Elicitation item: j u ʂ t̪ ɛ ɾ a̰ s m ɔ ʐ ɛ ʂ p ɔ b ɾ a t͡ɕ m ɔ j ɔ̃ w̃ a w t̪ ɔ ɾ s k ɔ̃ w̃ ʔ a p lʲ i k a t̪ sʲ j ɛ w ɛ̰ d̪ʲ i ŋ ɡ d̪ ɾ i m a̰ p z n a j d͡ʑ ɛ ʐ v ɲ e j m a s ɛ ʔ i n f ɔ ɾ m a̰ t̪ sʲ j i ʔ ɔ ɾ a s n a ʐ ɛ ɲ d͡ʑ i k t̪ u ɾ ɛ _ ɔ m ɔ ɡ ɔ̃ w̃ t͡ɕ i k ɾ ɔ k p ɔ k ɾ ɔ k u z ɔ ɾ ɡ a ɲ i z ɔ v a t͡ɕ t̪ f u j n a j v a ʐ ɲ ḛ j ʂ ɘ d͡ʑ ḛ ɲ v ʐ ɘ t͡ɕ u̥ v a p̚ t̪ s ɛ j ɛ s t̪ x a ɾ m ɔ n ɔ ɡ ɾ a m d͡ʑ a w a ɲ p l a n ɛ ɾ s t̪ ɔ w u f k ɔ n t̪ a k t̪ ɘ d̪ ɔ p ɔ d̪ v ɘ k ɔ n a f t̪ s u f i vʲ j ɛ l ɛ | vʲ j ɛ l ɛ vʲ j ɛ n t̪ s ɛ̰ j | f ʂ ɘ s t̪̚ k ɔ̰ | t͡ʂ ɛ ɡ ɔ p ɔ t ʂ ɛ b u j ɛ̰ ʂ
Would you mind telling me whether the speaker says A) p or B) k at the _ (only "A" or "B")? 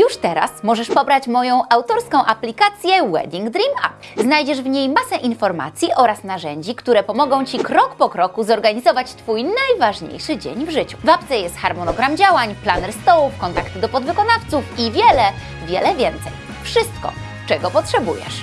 A